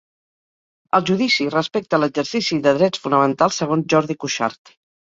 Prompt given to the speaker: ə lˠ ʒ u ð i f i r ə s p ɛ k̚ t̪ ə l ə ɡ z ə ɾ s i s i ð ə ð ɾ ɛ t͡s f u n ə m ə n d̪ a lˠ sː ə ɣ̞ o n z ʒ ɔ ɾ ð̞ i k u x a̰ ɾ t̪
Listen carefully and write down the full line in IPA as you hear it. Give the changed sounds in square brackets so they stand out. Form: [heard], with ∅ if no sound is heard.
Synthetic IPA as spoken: ə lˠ ʒ u ð i [s] i r ə s p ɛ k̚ t̪ ə l ə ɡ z ə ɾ s i s i ð ə ð ɾ ɛ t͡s f u n ə m ə n [t̪] a lˠ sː ə ɣ̞ o n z ʒ ɔ ɾ ð̞ i k u [ʃ] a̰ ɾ t̪